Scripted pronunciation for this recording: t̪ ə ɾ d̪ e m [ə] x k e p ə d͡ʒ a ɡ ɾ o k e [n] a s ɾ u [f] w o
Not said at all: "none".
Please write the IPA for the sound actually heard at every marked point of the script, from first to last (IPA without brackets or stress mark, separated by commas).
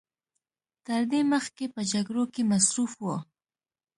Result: ə, m, f